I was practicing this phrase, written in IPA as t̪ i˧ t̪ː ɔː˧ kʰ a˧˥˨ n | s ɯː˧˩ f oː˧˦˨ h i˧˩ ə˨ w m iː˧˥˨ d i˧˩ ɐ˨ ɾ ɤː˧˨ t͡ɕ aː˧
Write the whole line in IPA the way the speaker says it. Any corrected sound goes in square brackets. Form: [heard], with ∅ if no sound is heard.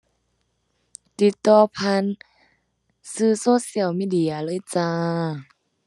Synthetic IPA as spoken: t̪ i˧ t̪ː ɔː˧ [pʰ] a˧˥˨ n | s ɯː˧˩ [s] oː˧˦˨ [s] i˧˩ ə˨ w m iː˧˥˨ d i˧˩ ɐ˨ [l] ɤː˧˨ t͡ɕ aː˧